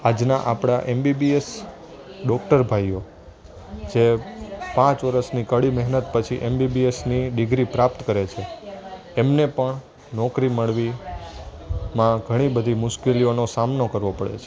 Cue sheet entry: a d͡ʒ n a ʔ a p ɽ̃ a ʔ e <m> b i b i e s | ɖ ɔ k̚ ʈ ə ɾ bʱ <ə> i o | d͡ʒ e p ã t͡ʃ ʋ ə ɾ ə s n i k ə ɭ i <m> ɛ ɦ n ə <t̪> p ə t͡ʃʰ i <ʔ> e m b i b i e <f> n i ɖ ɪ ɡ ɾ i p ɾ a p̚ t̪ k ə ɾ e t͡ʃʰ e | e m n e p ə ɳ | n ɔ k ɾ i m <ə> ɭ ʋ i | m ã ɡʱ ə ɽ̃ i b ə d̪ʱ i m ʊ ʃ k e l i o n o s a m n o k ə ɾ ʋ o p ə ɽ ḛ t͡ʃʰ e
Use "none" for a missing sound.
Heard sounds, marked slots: m, a, m, t̪, ʔ, s, ə

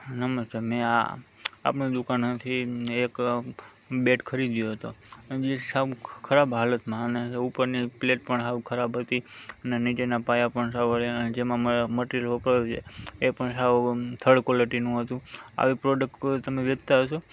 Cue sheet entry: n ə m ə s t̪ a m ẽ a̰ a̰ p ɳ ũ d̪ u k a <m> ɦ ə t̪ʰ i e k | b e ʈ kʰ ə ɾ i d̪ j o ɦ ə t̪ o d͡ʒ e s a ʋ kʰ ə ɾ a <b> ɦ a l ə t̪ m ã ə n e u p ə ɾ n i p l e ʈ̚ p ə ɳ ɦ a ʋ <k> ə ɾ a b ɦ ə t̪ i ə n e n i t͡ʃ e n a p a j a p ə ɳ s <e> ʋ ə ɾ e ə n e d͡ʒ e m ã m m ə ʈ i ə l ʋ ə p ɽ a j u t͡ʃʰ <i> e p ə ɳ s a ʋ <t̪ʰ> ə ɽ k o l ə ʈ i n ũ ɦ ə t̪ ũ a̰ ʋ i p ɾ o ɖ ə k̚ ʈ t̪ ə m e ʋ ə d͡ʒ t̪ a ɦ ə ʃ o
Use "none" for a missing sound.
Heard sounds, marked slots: n, b, kʰ, a, e, t̪ʰ

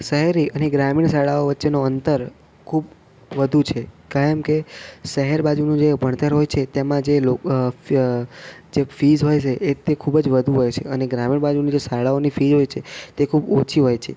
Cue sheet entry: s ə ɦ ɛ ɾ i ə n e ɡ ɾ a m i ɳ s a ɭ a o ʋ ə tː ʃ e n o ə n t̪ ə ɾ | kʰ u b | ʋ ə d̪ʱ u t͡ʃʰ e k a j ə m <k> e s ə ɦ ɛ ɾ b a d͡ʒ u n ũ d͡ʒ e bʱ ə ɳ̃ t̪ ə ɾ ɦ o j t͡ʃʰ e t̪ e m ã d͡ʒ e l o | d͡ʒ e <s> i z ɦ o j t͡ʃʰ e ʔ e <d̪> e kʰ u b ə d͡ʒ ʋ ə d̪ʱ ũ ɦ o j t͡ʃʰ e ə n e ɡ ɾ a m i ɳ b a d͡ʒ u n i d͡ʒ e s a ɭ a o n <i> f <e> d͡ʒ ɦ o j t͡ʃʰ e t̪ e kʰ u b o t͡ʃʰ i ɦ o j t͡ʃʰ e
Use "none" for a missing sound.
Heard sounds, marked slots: k, f, t̪, i, i

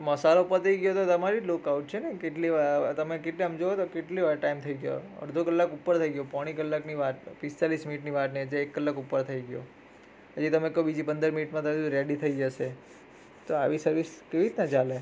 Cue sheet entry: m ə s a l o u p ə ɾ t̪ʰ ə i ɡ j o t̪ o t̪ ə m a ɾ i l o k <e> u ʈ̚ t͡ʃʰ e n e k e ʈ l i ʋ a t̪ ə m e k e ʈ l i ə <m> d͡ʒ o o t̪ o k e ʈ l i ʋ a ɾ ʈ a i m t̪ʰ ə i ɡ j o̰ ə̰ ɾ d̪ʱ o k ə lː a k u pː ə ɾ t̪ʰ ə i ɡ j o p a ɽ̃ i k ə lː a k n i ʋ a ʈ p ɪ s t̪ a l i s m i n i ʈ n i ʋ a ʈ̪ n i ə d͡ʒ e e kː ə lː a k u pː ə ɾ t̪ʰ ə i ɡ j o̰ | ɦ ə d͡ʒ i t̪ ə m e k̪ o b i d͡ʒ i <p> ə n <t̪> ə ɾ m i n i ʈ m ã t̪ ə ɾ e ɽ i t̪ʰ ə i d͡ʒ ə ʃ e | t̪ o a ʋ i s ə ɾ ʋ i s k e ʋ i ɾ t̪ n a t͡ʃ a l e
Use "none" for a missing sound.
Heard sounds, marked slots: a, m, p, d̪

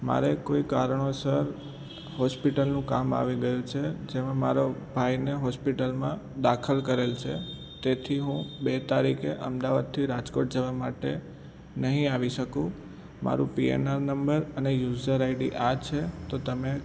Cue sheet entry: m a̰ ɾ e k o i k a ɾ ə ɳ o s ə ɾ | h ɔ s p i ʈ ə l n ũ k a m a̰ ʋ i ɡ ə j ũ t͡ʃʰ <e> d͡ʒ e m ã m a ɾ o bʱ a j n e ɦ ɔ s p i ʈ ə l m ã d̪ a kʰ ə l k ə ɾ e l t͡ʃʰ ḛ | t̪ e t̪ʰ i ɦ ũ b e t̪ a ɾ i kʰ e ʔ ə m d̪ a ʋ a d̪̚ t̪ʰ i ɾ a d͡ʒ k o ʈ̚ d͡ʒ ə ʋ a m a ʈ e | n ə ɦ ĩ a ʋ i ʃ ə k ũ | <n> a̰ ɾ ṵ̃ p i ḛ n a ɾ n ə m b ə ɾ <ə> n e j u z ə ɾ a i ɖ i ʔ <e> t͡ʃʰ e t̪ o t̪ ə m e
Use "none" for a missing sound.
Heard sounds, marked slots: e, m, ə, a

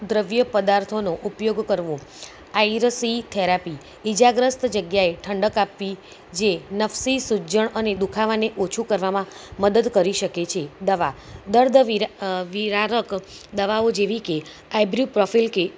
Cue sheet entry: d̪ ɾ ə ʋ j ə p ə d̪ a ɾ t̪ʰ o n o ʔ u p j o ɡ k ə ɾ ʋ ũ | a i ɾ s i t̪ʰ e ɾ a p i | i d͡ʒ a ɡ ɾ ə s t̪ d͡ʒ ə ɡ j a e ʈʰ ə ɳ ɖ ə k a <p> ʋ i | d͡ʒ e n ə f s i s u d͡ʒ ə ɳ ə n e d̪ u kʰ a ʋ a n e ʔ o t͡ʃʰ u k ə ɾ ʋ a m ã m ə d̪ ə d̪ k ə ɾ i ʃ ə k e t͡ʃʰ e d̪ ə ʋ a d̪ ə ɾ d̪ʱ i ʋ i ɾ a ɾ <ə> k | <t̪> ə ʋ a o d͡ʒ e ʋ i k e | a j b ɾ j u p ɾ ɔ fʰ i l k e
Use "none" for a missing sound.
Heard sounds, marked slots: p, ə, d̪

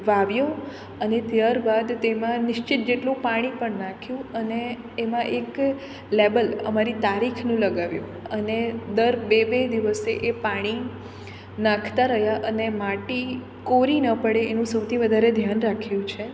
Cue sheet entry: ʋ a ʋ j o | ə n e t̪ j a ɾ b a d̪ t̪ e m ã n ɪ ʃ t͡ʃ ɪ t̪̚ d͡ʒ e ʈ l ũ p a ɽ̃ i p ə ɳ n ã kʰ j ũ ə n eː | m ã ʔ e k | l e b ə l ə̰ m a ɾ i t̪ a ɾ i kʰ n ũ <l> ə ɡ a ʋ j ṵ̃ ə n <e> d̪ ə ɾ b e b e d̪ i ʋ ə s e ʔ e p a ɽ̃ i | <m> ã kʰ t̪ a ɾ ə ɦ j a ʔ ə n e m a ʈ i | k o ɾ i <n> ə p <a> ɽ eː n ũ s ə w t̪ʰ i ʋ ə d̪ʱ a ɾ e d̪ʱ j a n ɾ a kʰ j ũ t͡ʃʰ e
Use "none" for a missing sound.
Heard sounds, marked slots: l, e, n, n, ə

